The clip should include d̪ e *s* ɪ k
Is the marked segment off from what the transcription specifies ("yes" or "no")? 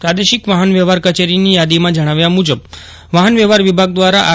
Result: yes